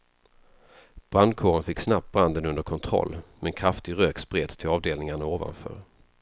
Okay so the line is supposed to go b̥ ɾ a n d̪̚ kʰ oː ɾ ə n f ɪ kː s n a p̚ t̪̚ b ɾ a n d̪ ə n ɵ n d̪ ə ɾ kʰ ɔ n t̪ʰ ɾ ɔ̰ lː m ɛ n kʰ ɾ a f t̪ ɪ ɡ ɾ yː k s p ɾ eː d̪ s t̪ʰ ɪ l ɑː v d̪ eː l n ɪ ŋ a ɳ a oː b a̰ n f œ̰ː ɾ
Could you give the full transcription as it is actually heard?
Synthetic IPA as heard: b̥ ɾ a n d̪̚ kʰ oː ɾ ə n f ɪ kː s n a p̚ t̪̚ b ɾ a n d̪ ə n ɵ n d̪ ə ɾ kʰ ɔ n t̪ʰ ɾ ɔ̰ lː m ɛ n kʰ ɾ a f t̪ ɪ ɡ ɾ øː k s p ɾ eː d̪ s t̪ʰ ɪ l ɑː v d̪ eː l n ɪ ŋ a ɳ a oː v a̰ n f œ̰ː ɾ